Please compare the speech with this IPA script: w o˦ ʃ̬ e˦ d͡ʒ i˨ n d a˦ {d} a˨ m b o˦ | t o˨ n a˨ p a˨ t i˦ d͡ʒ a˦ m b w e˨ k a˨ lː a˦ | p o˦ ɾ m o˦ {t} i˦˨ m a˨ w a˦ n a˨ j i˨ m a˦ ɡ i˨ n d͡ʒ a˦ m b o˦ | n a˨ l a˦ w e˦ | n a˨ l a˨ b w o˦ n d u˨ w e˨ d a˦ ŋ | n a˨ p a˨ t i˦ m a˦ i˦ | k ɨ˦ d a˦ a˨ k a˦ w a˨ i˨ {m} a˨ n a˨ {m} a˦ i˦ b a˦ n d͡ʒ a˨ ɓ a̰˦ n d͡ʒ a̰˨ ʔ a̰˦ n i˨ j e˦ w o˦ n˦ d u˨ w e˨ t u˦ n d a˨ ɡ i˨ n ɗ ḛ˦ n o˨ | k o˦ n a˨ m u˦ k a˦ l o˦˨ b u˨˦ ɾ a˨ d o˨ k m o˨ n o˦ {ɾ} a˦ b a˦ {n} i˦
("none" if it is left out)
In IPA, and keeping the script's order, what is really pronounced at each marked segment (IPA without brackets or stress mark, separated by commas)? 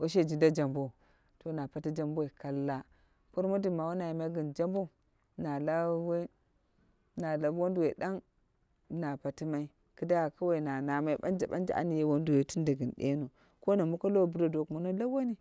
d͡ʒ, d, n, m, l, n